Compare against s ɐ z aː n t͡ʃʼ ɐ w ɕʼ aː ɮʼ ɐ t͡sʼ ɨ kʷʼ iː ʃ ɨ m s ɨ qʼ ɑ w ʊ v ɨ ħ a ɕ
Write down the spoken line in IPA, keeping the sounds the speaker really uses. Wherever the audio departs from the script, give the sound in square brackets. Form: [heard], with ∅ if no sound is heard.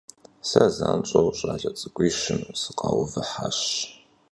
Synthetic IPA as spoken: s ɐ z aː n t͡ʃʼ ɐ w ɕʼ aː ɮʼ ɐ t͡sʼ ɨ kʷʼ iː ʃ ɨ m s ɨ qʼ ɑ w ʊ v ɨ ħ a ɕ